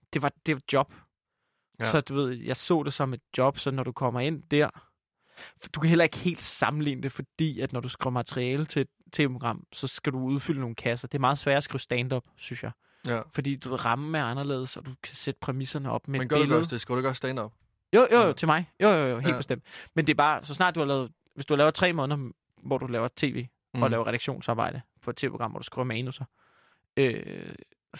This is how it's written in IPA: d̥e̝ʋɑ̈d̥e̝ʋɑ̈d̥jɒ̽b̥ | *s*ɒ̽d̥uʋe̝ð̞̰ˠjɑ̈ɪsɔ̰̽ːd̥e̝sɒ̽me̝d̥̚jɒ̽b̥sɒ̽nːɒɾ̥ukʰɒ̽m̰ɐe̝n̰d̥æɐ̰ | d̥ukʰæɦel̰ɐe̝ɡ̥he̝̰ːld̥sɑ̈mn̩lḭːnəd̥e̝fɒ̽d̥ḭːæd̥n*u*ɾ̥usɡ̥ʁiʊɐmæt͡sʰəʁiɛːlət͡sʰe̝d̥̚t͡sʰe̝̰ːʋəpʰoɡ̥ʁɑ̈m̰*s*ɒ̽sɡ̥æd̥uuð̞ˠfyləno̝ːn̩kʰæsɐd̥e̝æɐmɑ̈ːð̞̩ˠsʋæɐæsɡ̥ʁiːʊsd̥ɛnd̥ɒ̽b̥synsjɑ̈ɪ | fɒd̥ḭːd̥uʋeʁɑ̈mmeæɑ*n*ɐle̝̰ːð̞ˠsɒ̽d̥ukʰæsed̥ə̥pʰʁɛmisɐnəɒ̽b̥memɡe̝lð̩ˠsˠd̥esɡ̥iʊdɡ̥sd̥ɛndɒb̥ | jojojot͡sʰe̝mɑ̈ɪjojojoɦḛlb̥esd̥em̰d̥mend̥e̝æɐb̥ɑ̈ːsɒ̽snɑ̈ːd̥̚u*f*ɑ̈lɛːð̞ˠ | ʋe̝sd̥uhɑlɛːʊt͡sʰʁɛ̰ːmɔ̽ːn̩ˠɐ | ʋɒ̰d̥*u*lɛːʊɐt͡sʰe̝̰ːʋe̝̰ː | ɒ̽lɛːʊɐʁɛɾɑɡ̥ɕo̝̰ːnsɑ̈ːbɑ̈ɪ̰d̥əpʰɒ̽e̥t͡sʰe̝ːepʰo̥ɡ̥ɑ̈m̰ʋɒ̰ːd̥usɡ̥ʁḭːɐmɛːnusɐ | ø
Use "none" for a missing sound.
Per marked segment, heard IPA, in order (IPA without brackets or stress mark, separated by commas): s, ɒ, s, n, h, u